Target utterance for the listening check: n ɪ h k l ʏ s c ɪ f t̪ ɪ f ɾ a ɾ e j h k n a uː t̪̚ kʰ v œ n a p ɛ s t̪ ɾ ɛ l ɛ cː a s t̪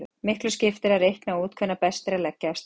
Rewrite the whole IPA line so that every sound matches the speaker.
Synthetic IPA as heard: m ɪ h k l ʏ s c ɪ f t̪ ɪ ɾ a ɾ e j h k n a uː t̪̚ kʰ v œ n a p ɛ s t̪ ɾ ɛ l ɛ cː a s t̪